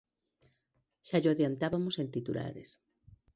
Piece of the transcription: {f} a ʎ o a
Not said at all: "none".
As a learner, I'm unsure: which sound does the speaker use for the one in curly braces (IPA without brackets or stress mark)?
ʃ